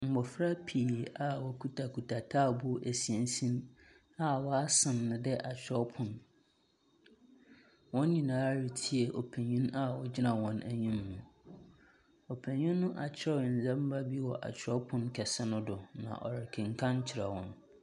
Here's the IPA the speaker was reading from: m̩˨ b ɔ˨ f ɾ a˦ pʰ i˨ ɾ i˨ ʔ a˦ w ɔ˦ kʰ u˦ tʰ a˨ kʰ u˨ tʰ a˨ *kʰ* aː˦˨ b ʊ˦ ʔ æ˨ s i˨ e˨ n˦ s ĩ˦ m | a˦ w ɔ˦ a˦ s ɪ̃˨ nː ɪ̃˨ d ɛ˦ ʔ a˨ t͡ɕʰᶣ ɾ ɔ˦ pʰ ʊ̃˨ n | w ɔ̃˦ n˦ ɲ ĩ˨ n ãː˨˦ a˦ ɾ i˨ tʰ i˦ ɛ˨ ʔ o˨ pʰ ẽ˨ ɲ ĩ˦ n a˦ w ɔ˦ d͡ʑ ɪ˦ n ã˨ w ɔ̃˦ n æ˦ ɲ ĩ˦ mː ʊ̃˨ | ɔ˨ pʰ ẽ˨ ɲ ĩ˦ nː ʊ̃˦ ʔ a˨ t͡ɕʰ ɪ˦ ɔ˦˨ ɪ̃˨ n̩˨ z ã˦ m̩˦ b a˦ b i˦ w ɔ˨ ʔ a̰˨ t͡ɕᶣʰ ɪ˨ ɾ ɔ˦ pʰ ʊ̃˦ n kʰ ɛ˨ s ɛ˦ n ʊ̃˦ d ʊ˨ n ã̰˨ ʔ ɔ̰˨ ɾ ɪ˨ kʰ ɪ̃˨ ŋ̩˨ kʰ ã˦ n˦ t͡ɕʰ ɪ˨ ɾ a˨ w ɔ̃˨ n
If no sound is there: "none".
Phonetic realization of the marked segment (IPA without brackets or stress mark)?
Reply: tʰ